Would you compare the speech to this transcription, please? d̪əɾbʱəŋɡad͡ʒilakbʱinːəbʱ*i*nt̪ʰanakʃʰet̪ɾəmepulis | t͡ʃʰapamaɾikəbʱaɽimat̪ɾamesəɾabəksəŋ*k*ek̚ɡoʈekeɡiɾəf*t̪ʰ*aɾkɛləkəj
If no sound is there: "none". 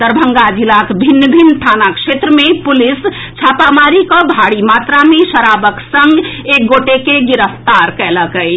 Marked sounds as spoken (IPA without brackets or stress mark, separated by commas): i, ɡ, t̪